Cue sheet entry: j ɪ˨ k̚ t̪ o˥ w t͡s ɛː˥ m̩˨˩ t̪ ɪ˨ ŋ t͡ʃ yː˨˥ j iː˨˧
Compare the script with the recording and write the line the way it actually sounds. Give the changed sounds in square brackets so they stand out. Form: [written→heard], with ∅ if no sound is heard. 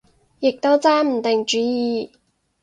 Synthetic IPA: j ɪ˨ k̚ t̪ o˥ w t͡s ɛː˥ m̩˨˩ t̪ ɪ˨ ŋ t͡ʃ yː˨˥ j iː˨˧